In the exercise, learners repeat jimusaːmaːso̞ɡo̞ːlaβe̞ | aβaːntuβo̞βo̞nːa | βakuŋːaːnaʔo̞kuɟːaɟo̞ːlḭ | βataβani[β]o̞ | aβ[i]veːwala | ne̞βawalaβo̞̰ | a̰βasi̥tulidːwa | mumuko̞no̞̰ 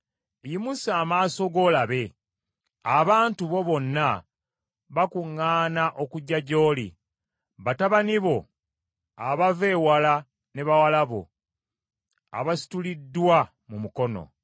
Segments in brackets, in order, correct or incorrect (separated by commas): correct, incorrect